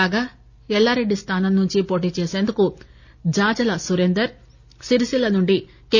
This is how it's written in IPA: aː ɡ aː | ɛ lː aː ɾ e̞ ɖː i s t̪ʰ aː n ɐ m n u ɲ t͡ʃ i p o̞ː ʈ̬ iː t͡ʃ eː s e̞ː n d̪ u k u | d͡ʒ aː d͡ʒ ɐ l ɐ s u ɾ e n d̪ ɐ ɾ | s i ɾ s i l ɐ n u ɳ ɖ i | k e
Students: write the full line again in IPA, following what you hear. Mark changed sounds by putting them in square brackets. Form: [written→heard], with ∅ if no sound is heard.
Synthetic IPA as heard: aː ɡ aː | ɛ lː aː ɾ e̞ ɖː i s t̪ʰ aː n ɐ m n u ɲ t͡ʃ i p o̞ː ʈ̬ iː t͡ʃ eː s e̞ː n d̪ u k u | d͡ʒ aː d͡ʒ ɐ l ɐ s u ɾ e n d̪ ɐ ɾ | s i ɾ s i l ɐ n u ɳ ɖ i | k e